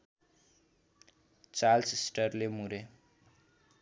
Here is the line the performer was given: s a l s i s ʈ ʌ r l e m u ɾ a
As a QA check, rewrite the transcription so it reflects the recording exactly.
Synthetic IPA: t͡s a l s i s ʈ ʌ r l e m u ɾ e